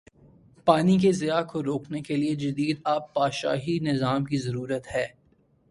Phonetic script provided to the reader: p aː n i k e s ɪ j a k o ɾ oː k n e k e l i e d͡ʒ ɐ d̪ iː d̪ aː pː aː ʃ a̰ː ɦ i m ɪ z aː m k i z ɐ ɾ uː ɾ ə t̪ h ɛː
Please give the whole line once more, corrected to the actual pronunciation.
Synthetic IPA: p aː n i k e z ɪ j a k o ɾ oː k n e k e l i e d͡ʒ ɐ d̪ iː d̪ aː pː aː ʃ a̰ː ɦ i n ɪ z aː m k i z ɐ ɾ uː ɾ ə t̪ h ɛː